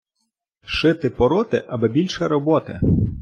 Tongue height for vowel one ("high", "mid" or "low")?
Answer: high